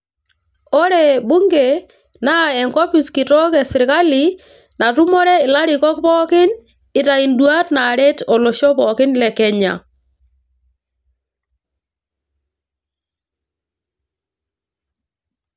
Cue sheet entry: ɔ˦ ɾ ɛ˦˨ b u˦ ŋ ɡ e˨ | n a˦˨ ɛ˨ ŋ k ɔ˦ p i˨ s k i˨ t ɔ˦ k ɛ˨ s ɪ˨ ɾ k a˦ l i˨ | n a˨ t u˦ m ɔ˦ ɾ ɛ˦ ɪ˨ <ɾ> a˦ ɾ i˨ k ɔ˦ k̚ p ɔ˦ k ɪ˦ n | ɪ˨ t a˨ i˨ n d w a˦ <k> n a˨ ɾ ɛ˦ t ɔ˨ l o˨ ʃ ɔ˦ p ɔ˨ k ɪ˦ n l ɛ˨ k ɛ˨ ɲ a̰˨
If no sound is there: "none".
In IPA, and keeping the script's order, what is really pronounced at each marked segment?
l, t

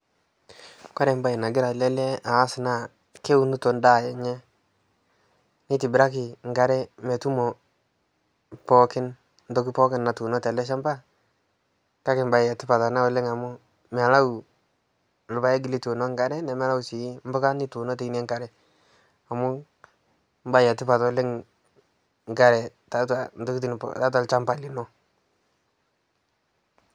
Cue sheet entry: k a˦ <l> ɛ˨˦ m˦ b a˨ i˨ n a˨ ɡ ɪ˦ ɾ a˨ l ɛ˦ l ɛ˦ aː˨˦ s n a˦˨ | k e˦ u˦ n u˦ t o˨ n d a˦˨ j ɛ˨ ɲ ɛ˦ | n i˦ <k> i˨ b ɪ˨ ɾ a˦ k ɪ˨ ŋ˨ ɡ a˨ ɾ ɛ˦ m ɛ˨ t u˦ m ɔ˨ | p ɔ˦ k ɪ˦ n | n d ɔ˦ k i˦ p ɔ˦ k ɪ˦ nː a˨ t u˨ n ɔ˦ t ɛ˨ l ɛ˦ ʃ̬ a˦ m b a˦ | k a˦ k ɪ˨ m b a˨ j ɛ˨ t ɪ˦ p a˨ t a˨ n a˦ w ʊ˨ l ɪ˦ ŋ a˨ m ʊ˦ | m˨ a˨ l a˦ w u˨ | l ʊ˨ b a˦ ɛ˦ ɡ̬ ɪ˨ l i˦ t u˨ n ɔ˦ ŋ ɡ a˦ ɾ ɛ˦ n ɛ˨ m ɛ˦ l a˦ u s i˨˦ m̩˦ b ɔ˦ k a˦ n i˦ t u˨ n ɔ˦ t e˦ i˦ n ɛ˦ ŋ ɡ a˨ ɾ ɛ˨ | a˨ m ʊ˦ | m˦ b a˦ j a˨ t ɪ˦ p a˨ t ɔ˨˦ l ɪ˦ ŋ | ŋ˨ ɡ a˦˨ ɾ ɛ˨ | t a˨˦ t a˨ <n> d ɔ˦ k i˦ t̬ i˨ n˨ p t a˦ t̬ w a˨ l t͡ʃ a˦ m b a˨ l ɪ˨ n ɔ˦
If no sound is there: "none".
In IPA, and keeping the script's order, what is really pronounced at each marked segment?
ɾ, t, n

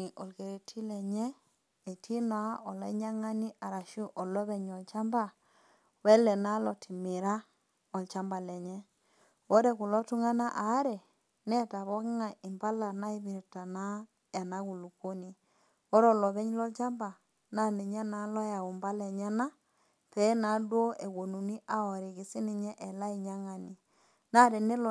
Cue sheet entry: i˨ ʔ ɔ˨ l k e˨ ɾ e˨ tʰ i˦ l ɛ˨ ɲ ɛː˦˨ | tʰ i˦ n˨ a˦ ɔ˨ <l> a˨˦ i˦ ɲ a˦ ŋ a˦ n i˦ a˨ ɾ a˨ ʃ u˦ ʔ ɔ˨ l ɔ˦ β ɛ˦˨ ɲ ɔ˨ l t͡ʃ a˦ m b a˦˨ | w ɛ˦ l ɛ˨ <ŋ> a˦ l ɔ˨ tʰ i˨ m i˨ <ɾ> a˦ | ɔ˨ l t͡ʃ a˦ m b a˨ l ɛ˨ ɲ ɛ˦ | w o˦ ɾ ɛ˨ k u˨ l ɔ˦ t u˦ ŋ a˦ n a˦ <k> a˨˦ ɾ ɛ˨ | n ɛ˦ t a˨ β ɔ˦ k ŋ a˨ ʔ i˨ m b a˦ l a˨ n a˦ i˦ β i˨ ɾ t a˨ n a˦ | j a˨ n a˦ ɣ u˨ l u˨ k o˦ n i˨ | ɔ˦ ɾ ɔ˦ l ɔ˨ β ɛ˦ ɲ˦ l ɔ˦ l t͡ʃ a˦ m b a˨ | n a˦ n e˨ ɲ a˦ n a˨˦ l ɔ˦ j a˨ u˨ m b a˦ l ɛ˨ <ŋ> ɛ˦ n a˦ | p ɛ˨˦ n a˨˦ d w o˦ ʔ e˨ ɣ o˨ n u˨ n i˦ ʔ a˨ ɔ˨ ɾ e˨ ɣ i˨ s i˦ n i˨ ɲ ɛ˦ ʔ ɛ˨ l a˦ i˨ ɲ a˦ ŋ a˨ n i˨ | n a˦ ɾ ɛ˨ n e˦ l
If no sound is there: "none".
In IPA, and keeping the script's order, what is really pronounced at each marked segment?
l, n, ɾ, ʔ, ɲ

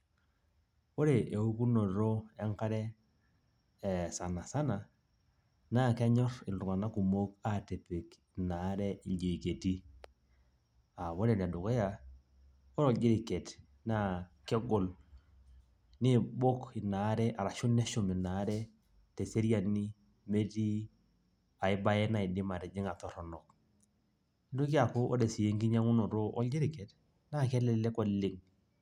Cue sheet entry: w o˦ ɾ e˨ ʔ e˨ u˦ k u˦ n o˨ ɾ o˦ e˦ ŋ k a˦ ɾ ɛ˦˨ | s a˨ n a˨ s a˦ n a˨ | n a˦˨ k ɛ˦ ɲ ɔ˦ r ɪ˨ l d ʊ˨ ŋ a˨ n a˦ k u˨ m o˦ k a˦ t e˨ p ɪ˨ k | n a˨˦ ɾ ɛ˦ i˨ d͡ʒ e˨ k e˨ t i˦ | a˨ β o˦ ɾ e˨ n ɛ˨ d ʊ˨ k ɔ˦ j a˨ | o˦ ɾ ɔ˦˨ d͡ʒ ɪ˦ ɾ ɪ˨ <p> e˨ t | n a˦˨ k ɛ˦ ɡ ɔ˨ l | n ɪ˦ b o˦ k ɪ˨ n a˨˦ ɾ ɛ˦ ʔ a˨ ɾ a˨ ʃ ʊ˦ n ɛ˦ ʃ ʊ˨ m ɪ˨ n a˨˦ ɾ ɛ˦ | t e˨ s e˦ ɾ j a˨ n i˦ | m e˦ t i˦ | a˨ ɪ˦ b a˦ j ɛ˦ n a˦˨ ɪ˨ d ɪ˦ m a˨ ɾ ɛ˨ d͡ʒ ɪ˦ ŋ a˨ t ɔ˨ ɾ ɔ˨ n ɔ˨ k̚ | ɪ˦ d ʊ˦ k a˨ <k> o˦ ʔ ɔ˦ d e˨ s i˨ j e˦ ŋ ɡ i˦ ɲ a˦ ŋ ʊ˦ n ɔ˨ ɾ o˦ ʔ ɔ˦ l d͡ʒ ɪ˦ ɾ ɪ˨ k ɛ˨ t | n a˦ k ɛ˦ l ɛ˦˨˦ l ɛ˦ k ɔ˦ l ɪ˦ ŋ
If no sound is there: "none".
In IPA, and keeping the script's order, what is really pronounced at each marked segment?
k, k

